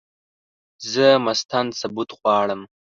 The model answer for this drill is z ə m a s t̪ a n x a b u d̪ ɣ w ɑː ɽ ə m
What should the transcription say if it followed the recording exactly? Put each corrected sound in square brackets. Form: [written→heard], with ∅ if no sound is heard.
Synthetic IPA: z ə m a s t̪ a n [x→s] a b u [d̪→t̪] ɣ w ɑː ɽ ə m

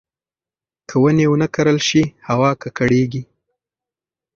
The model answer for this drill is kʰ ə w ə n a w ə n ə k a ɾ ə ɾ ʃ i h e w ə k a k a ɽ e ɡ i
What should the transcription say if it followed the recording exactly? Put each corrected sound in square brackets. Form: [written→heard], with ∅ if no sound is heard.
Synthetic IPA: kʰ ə w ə n [a→e] w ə n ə k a ɾ ə [ɾ→l] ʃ i h [e→a] w [ə→ɑ] k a k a ɽ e ɡ i

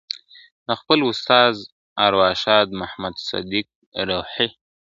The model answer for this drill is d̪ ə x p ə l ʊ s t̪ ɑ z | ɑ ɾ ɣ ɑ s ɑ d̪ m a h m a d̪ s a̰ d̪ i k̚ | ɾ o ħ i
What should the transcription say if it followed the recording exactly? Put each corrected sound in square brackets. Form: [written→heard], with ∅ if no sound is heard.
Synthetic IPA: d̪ ə x p ə l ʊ s t̪ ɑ z | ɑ ɾ [ɣ→w] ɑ [s→ʃ] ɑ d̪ m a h m a d̪ s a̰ d̪ i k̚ | ɾ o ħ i

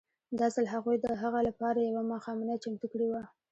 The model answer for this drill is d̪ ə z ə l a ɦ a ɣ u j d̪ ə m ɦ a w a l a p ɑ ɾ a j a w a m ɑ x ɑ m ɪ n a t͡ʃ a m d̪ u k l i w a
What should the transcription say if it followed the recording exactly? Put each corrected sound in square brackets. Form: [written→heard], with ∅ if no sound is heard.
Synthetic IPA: d̪ [ə→ɑ] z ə l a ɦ a ɣ u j d̪ ə [m→∅] ɦ a [w→ɣ] a l a p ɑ ɾ a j a w a m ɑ x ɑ m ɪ n a t͡ʃ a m [d̪→t̪] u k [l→ɽ] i w a

